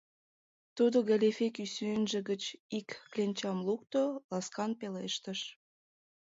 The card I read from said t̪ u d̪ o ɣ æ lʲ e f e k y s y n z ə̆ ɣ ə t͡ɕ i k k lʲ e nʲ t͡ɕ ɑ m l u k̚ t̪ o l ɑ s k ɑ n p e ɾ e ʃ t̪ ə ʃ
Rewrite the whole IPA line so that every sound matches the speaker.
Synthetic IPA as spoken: t̪ u d̪ o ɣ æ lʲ e f e k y s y n ʒ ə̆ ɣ ə t͡ɕ i k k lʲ e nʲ t͡ɕ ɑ m l u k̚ t̪ o l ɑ s k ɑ n p e l e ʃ t̪ ə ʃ